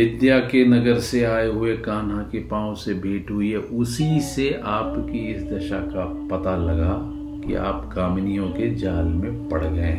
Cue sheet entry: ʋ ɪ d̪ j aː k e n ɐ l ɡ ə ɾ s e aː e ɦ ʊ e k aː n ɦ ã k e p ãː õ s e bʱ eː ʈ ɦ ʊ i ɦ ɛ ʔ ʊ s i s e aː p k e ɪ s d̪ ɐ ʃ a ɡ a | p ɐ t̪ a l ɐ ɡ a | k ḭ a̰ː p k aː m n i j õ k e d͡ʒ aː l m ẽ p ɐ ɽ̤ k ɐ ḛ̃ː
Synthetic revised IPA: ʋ ɪ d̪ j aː k e n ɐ ɡ ə ɾ s e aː e ɦ ʊ e k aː n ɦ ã k e p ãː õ s e bʱ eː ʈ ɦ ʊ i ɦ ɛ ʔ ʊ s i s e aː p k i ɪ s d̪ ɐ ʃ a k a | p ɐ t̪ a l ɐ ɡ a | k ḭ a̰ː p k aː m n i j õ k e d͡ʒ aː l m ẽ p ɐ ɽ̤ ɡ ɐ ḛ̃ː